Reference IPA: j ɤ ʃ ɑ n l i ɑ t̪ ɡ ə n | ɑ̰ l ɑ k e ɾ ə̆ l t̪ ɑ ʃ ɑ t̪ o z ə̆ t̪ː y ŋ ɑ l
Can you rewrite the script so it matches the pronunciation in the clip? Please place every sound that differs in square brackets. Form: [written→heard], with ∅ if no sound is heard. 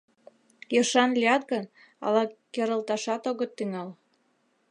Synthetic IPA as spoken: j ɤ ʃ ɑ n l i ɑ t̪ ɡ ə n | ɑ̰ l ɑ k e ɾ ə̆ l t̪ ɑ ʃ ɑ t̪ o [z→ɣ] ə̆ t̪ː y ŋ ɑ l